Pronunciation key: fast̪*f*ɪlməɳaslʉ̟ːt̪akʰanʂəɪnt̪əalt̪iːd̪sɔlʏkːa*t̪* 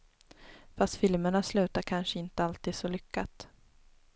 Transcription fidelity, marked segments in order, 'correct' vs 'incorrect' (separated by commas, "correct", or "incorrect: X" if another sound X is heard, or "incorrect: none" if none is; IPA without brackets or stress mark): correct, correct